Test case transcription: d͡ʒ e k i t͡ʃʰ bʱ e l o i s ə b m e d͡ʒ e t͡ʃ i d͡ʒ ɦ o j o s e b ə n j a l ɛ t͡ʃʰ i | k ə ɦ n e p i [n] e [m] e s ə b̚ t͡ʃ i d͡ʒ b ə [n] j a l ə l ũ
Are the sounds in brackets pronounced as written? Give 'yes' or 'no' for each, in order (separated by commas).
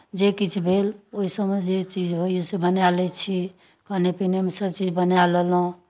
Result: yes, yes, yes